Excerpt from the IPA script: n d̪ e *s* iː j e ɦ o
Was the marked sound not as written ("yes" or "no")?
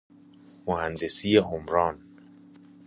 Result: no